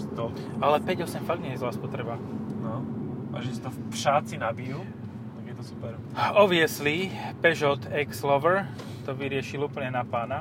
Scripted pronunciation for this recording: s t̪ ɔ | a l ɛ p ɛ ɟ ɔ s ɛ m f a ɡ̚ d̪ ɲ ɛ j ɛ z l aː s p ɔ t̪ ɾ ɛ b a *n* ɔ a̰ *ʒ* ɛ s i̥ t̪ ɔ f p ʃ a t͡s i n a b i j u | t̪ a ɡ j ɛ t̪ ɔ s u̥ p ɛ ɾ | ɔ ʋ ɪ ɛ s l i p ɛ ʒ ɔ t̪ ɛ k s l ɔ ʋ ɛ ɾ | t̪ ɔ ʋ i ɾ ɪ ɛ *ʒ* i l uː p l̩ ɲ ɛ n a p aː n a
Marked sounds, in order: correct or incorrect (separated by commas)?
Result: correct, correct, incorrect